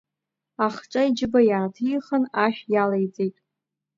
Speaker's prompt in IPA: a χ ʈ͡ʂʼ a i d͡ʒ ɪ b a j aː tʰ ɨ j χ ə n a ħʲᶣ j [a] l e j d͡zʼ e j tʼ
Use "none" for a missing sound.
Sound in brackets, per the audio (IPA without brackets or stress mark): a